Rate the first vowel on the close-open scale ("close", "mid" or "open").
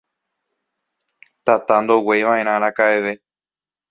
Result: open